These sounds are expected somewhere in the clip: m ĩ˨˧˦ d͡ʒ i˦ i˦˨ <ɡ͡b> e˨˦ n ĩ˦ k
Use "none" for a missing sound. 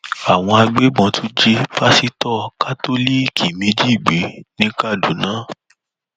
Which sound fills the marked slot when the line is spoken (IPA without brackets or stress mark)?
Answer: ɡ͡b